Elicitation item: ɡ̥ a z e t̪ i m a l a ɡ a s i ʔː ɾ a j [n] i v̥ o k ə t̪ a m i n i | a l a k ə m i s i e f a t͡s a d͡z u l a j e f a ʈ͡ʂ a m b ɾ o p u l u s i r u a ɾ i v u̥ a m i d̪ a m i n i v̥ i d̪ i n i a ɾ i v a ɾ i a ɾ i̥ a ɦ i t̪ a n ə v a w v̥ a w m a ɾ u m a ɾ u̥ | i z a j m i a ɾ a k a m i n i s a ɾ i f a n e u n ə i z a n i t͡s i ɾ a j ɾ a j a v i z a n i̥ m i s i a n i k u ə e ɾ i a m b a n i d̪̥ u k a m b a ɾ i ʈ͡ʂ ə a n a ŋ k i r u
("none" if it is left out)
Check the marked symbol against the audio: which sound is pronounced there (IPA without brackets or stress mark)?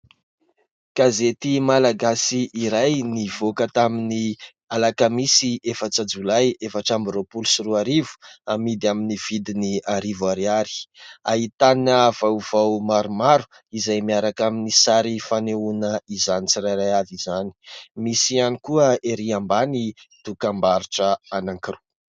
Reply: n